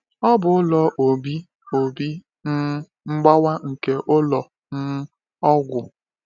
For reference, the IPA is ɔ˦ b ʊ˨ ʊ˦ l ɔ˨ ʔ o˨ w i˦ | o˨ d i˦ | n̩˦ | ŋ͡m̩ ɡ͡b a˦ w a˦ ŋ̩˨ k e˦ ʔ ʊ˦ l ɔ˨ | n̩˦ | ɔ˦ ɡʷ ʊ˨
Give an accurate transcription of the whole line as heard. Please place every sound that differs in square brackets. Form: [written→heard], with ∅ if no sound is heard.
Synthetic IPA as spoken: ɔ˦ b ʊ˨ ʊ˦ l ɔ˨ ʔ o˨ [w→b] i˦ | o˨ [d→b] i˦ | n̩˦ | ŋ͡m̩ ɡ͡b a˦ w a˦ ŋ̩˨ k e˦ ʔ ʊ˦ l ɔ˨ | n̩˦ | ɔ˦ ɡʷ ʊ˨